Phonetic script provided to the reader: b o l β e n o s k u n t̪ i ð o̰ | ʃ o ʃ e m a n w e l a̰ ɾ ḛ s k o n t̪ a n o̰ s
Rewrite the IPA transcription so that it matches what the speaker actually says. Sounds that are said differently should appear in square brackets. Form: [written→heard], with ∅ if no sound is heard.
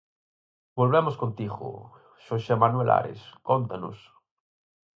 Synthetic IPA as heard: b o l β e [n→m] o s k [u→o] n t̪ i [ð→ɣ] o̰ | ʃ o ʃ e m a n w e l a̰ ɾ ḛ s k o n t̪ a n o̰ s